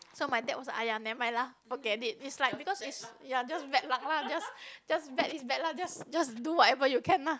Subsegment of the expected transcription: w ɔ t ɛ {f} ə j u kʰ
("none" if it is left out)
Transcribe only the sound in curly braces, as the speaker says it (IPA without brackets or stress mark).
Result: v